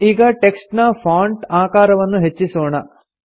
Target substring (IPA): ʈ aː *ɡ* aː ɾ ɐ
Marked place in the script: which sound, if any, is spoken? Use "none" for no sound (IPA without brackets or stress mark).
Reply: k